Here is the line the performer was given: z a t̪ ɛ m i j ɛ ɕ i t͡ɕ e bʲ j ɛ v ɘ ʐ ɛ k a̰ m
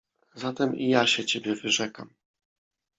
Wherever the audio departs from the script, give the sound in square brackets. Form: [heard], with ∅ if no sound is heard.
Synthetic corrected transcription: z a t̪ ɛ m i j [a] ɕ [ɛ] t͡ɕ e bʲ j ɛ v ɘ ʐ ɛ k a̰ m